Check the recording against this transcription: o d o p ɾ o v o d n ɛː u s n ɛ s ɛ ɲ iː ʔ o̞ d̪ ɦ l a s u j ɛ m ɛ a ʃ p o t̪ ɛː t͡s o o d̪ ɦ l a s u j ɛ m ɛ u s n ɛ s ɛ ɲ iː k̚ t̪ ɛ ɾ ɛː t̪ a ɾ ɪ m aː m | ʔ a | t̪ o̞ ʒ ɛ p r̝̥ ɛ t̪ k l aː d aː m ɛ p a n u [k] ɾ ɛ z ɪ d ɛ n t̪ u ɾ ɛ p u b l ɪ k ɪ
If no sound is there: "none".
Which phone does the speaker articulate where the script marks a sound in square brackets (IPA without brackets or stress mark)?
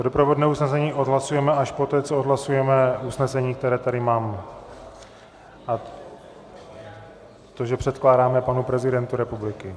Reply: p